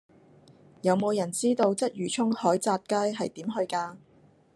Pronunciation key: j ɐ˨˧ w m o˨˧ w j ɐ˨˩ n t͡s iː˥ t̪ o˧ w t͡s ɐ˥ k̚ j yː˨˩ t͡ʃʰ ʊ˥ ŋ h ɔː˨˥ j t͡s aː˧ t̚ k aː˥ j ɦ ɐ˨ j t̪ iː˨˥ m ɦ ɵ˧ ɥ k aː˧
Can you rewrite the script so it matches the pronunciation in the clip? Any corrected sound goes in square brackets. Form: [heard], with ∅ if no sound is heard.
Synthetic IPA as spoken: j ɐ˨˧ w m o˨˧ w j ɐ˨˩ n t͡s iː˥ t̪ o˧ w t͡s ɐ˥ [t̚] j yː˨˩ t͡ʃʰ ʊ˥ ŋ h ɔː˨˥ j t͡s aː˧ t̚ k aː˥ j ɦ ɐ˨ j t̪ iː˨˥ m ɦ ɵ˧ ɥ k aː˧